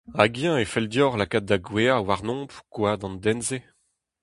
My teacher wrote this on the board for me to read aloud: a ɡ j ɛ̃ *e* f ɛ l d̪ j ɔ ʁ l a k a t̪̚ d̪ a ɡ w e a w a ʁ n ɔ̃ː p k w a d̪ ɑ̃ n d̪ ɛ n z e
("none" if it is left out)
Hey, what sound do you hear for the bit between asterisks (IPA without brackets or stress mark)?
e